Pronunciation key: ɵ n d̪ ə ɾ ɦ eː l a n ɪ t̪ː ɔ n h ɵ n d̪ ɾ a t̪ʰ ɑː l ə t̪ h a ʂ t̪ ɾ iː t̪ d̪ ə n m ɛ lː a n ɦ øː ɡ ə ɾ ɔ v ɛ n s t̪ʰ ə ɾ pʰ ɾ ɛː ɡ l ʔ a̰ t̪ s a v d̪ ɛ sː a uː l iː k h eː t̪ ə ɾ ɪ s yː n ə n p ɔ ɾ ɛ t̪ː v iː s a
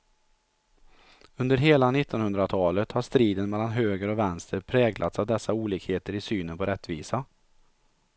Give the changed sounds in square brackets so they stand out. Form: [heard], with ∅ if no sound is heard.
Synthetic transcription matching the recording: ɵ n d̪ ə ɾ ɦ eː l a n ɪ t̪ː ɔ n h ɵ n d̪ ɾ a t̪ʰ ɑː l ə t̪ h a ʂ t̪ ɾ iː [∅] d̪ ə n m ɛ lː a n ɦ øː ɡ ə ɾ ɔ v ɛ n s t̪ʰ ə ɾ pʰ ɾ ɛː ɡ l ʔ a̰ t̪ s a v d̪ ɛ sː a uː l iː k h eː t̪ ə ɾ ɪ s yː n ə n p ɔ ɾ ɛ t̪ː v iː s a